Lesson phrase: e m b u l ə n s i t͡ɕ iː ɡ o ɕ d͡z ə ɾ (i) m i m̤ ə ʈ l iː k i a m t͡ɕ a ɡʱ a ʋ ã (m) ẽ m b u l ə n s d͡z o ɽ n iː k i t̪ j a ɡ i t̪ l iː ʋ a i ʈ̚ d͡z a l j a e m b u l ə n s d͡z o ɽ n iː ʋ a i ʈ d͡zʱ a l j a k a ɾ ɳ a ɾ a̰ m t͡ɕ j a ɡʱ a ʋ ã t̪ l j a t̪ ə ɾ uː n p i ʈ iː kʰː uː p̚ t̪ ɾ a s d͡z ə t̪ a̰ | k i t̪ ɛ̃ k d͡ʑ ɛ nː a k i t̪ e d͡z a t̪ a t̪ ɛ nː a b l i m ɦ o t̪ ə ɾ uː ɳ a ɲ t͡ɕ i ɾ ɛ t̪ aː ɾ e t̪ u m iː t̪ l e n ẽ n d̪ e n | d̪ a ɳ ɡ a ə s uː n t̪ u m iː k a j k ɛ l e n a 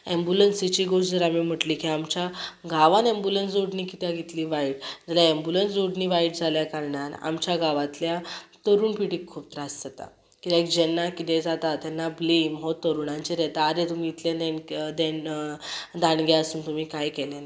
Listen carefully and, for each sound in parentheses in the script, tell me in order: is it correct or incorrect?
incorrect: a, incorrect: n

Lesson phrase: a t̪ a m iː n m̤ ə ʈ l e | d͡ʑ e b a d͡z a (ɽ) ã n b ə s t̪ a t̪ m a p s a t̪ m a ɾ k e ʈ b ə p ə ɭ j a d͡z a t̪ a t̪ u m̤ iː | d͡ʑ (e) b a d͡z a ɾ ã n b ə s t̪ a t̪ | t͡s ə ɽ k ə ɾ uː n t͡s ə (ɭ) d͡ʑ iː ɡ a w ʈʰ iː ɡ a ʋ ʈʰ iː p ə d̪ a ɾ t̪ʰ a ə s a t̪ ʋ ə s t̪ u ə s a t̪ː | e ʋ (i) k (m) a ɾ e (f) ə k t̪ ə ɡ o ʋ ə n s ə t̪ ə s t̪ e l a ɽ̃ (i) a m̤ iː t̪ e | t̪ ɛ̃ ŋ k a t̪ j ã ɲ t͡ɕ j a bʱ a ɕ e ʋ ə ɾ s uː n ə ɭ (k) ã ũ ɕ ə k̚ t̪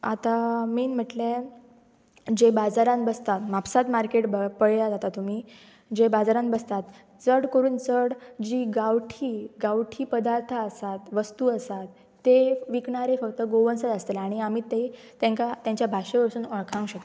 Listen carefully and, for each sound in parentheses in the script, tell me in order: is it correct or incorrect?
incorrect: ɾ, correct, incorrect: ɽ, correct, incorrect: ɳ, correct, correct, incorrect: kʰ

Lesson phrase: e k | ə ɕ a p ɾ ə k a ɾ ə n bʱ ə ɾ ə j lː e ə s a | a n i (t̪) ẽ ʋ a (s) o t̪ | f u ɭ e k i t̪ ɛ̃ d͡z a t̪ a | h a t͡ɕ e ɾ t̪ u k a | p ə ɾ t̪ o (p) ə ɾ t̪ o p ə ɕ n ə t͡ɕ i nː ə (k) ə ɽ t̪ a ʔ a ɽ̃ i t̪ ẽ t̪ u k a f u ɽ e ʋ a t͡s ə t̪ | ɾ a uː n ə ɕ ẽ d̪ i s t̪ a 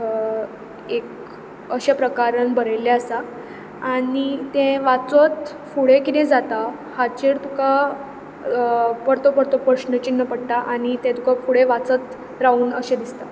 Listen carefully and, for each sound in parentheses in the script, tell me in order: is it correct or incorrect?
correct, incorrect: t͡s, correct, incorrect: p

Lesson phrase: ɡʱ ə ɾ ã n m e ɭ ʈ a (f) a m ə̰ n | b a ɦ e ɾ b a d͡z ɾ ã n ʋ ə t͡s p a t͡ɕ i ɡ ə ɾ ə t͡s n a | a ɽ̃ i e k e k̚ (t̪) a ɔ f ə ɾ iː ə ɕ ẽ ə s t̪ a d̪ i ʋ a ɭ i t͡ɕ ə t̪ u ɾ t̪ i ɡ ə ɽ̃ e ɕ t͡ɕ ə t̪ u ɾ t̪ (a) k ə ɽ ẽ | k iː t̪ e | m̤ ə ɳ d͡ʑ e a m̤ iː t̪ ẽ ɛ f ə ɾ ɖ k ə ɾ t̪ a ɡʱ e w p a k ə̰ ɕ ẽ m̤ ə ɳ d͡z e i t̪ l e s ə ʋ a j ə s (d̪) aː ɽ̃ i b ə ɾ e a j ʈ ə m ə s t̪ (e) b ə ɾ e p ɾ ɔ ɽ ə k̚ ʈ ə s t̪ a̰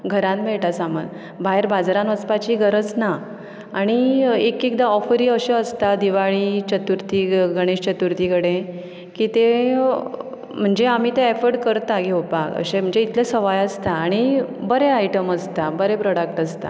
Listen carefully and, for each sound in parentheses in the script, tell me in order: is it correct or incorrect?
incorrect: s, incorrect: d̪, incorrect: i, incorrect: t̪, incorrect: a

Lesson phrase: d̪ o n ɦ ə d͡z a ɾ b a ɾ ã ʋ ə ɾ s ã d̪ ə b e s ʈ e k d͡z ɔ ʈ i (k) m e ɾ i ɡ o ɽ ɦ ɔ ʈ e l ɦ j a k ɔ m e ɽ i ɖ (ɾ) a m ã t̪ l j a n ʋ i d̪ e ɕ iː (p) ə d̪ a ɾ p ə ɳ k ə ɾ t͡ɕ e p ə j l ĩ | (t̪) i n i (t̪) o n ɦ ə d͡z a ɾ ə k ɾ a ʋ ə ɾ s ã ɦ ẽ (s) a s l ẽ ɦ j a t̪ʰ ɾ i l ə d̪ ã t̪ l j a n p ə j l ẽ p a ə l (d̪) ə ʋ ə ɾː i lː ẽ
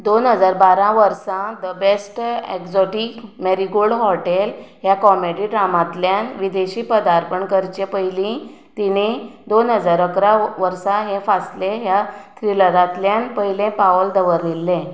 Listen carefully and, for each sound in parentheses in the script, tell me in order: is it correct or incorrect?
correct, correct, correct, correct, incorrect: d̪, incorrect: f, correct

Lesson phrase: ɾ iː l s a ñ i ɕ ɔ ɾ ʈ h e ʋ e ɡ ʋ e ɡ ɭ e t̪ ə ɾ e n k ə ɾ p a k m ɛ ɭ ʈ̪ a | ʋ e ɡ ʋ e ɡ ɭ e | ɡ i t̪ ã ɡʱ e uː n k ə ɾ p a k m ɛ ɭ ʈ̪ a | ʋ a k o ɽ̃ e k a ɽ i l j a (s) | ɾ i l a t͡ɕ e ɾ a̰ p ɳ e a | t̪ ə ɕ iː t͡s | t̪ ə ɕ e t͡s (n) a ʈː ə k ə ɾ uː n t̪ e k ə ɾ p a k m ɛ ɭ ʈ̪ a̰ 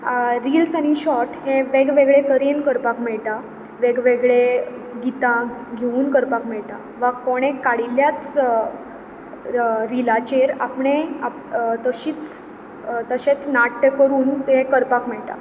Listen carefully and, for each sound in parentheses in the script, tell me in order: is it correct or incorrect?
incorrect: t͡s, correct

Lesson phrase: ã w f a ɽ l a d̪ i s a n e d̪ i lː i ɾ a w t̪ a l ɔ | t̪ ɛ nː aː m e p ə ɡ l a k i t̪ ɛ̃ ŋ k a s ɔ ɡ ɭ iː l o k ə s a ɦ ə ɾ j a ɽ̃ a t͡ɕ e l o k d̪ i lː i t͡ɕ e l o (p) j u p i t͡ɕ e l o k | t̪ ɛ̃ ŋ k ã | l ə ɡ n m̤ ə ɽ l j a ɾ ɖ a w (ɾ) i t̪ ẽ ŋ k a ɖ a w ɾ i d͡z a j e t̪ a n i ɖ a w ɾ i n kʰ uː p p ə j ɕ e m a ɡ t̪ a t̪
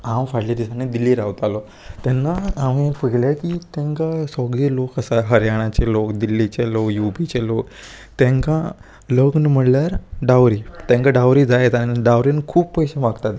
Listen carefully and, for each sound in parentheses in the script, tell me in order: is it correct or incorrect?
incorrect: k, correct

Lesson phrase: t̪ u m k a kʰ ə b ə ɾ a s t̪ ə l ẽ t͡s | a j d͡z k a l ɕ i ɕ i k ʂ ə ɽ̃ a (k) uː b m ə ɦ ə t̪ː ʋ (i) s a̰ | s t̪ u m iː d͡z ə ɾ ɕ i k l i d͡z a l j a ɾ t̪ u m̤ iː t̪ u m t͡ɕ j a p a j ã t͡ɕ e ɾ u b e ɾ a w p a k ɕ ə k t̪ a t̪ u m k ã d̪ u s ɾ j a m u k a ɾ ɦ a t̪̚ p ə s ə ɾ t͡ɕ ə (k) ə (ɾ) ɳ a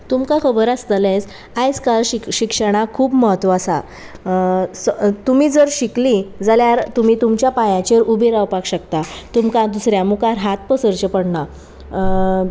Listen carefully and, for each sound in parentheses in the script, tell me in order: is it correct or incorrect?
incorrect: kʰ, incorrect: a, incorrect: p, incorrect: ɽ

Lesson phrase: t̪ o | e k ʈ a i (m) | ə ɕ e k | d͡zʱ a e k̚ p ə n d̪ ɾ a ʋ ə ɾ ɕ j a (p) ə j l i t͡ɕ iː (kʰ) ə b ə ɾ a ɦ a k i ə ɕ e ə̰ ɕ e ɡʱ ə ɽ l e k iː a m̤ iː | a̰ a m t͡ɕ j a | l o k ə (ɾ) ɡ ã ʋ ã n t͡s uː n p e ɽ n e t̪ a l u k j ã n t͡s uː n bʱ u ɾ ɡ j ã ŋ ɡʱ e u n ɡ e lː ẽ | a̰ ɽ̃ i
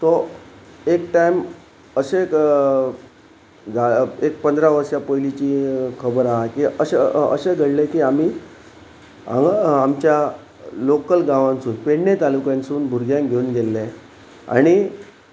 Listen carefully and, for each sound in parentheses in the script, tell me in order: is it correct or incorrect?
correct, correct, correct, incorrect: l

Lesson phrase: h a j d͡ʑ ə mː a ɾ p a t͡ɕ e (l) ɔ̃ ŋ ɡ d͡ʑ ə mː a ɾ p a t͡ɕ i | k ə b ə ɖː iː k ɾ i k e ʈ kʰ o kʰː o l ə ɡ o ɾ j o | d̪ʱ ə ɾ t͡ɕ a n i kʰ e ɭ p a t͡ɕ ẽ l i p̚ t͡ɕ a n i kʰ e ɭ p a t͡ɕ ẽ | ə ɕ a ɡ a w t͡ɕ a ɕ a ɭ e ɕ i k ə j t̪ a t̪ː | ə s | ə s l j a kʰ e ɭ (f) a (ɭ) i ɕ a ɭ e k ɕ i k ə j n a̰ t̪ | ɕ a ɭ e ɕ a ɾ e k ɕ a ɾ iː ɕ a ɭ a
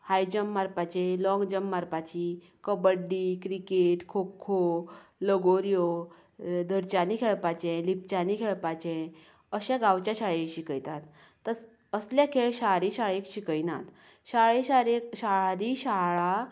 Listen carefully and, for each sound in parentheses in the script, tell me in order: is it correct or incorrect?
correct, incorrect: ɕ, incorrect: ɾ

